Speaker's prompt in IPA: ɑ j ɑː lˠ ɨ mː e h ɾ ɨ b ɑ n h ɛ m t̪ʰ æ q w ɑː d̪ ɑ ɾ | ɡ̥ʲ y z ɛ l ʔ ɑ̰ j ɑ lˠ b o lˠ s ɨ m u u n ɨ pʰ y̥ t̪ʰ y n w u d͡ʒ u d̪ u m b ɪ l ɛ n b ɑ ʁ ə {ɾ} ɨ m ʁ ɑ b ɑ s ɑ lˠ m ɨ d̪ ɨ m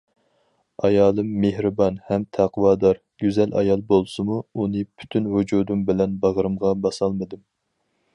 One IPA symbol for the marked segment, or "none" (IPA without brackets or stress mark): ɾ